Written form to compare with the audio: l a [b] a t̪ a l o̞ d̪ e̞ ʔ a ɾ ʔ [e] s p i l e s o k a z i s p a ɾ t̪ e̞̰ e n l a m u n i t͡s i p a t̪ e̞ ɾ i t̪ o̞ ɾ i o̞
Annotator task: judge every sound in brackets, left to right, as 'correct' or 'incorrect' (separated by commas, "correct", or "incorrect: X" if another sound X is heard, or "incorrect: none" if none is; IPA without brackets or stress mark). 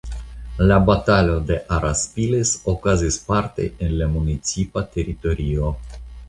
correct, incorrect: a